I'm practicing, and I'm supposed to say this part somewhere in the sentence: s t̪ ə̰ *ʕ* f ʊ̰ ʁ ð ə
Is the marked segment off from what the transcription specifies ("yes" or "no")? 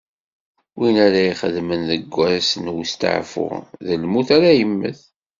no